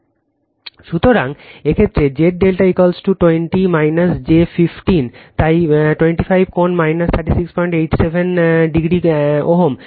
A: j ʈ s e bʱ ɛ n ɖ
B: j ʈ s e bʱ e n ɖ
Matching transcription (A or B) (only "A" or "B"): B